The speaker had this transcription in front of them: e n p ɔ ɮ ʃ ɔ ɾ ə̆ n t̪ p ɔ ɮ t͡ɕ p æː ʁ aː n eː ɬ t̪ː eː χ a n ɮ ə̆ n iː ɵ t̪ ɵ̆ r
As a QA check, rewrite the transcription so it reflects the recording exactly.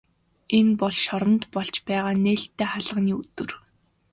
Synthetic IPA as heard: e n p ɔ ɮ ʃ ɔ ɾ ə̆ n t̪ p ɔ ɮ t͡ɕ p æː ʁ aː n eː ɬ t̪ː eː χ a ɮ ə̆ n iː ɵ t̪ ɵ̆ r